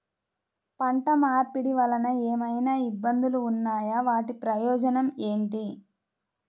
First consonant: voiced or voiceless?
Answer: voiceless